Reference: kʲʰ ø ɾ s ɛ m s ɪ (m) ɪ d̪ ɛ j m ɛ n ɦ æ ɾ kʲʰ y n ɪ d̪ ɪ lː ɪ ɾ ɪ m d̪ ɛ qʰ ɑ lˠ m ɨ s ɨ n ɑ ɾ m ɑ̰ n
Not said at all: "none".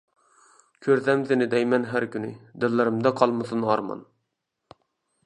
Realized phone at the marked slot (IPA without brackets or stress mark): n